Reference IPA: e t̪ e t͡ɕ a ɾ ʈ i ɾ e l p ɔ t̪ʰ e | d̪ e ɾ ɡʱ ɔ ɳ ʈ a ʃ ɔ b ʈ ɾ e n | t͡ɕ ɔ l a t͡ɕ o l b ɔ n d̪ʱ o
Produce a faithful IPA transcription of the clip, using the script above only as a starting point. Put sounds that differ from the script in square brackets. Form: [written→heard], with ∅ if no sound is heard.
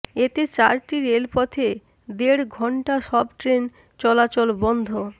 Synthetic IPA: e t̪ e t͡ɕ a ɾ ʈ i ɾ e l p ɔ t̪ʰ e | d̪ e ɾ ɡʱ ɔ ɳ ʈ a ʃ ɔ b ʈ ɾ e n | t͡ɕ ɔ l a t͡ɕ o l b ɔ n d̪ʱ o